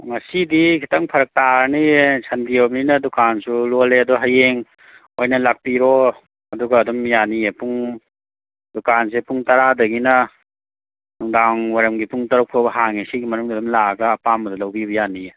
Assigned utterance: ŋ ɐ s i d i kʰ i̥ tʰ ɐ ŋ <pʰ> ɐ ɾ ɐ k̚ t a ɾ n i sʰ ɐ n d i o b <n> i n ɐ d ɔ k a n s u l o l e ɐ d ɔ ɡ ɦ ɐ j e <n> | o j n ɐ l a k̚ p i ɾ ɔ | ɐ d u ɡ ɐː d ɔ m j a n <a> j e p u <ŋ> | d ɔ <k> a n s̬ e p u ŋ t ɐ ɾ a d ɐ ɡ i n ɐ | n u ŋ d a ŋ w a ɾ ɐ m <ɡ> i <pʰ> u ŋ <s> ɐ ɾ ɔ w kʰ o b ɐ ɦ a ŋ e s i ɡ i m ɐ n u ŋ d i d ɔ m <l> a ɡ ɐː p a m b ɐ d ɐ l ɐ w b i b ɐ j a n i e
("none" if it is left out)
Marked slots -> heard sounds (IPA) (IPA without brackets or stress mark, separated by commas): pʰ, n, ŋ, i, ŋ, k, ɡ, p, t, l